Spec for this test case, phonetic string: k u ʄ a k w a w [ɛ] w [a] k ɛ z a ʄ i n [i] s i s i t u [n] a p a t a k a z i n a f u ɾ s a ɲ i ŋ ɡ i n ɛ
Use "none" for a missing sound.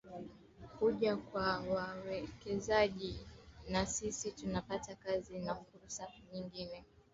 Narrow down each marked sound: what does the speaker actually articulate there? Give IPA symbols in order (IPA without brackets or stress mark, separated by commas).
a, ɛ, a, n